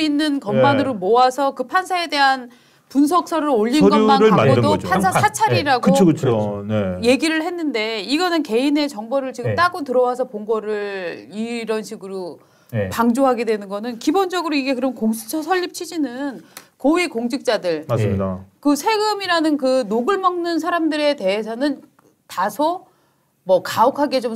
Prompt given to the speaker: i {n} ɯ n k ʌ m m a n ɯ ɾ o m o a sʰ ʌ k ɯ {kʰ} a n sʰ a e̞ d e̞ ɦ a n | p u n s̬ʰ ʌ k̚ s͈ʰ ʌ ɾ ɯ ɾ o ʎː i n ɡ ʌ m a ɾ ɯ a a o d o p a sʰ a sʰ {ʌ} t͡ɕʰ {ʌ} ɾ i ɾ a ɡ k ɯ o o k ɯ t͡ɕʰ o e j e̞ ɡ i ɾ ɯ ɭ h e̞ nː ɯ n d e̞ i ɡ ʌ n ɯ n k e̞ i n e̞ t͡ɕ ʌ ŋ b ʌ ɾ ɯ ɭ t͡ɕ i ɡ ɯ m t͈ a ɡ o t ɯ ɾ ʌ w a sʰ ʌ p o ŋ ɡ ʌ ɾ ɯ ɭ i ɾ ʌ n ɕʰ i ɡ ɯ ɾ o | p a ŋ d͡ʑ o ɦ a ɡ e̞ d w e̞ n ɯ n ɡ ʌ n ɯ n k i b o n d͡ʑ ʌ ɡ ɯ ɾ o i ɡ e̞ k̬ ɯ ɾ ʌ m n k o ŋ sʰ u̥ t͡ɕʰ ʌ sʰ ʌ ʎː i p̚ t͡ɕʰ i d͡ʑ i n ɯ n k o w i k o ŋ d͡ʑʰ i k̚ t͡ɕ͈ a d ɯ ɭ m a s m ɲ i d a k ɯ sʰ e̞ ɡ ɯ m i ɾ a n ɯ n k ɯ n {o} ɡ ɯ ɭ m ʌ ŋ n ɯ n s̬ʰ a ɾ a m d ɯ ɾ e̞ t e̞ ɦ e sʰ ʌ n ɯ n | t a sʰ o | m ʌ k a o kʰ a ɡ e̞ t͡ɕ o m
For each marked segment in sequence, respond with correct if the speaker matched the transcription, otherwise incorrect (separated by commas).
incorrect, incorrect, incorrect, incorrect, correct